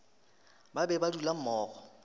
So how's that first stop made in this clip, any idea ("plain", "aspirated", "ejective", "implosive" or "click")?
plain